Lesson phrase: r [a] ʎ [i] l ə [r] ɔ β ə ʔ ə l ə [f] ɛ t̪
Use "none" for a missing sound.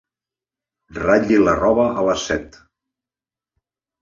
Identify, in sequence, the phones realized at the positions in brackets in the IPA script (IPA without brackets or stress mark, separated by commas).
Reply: a, i, r, s